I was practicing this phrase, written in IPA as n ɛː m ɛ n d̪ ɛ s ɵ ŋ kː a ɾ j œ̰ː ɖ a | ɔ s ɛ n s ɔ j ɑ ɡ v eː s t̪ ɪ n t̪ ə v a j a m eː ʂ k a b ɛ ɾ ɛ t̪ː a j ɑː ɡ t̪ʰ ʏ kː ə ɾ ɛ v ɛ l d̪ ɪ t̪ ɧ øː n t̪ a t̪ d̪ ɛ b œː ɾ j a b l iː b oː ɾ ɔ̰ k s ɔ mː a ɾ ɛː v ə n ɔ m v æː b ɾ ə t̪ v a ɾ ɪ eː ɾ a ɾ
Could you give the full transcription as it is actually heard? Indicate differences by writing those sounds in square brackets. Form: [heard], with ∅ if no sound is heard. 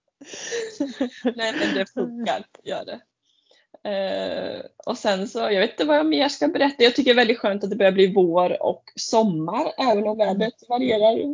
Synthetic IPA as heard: n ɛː m ɛ n d̪ ɛ [f] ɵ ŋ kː a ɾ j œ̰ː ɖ [ɛ] | ɔ s ɛ n s ɔ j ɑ ɡ v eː [∅] t̪ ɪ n t̪ ə v a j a m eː ʂ k a b ɛ ɾ ɛ t̪ː a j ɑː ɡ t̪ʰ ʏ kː ə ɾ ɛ v ɛ l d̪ ɪ t̪ ɧ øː n t̪ a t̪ d̪ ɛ b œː ɾ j a b l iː [v] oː ɾ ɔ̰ k s ɔ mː a ɾ ɛː v ə n ɔ m v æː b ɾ ə t̪ v a ɾ ɪ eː ɾ a ɾ